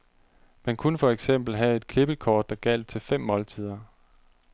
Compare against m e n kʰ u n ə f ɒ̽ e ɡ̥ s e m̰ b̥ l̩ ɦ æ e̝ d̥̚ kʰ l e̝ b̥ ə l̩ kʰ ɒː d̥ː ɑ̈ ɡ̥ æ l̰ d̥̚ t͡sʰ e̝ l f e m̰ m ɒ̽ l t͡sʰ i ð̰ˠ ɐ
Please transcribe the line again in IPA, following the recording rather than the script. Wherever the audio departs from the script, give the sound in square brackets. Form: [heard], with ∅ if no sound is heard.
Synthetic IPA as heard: m [æ] n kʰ u n ə f ɒ̽ e ɡ̥ s e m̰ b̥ l̩ ɦ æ e̝ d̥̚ kʰ l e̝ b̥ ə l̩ kʰ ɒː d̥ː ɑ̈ ɡ̥ æ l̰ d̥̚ t͡sʰ e̝ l f e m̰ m ɒ̽ l t͡sʰ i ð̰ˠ ɐ

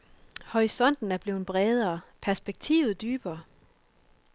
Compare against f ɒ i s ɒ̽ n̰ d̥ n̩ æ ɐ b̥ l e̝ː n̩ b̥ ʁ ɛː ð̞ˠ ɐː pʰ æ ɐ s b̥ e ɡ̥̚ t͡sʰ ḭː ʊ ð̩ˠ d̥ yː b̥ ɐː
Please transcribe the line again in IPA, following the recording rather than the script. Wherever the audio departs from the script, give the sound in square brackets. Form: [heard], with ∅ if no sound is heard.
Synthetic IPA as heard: [h] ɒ i s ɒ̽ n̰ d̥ n̩ æ ɐ b̥ l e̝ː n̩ b̥ ʁ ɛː ð̞ˠ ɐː pʰ æ ɐ s b̥ e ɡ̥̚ t͡sʰ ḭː ʊ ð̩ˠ d̥ yː b̥ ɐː

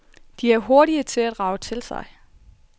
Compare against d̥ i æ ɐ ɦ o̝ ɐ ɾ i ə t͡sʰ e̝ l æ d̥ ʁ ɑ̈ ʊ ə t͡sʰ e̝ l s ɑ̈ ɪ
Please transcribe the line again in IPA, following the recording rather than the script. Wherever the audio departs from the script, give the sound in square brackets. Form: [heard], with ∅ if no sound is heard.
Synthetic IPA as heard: d̥ i æ ɐ ɦ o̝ ɐ ɾ i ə t͡sʰ e̝ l æ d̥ ʁ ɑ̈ ʊ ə t͡sʰ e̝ l s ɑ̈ ɪ

